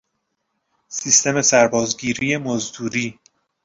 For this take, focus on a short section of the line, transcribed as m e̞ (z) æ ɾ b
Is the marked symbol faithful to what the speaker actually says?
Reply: no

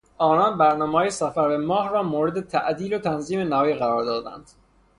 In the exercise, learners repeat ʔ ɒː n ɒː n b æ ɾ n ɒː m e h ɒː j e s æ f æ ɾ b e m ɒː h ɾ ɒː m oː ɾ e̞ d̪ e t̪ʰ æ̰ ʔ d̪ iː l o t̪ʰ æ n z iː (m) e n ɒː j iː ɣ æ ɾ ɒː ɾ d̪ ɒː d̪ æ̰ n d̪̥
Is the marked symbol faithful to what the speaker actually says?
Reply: yes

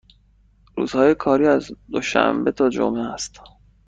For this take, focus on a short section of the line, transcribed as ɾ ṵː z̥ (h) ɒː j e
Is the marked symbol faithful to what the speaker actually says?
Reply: yes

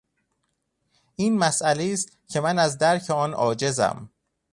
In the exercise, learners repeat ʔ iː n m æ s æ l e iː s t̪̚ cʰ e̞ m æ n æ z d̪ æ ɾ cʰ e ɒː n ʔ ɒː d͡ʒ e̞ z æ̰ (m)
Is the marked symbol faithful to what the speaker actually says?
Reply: yes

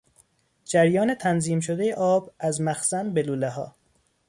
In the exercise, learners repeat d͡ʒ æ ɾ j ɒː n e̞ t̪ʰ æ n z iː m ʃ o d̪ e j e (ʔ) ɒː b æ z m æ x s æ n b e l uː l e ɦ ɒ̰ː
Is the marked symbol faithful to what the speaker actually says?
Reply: yes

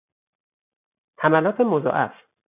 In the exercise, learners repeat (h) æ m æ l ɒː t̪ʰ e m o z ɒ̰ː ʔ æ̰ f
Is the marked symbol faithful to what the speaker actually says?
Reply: yes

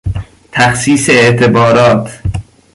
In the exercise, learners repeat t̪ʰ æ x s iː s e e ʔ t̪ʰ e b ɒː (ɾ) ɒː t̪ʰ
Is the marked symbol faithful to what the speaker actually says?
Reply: yes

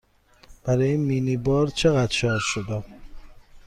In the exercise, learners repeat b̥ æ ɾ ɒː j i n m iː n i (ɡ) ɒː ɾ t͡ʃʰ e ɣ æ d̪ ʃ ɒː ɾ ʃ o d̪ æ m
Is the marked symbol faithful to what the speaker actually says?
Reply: no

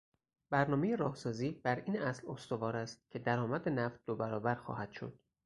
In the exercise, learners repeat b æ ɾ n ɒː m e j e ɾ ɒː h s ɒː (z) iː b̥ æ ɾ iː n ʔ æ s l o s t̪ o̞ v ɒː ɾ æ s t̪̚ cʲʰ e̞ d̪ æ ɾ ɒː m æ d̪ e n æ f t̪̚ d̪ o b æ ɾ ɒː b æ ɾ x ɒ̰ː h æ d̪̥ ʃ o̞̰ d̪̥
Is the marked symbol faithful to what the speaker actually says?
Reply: yes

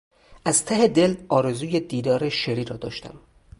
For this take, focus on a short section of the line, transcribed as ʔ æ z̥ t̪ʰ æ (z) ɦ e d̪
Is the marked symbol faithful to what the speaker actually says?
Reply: no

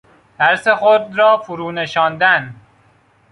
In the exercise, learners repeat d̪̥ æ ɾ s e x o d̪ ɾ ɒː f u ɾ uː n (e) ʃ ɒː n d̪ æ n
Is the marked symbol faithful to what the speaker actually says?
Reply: yes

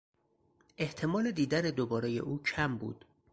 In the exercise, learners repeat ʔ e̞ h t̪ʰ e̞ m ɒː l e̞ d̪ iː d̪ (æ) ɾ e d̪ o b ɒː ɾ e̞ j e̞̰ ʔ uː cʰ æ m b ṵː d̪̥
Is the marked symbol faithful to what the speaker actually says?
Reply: yes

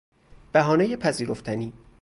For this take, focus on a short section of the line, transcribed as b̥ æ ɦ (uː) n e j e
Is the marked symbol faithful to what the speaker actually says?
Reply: no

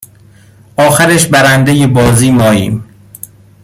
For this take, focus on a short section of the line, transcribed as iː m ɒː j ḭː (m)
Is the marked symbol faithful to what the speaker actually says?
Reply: yes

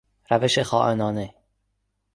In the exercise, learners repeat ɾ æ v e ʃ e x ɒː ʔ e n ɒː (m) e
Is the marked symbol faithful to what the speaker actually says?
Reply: no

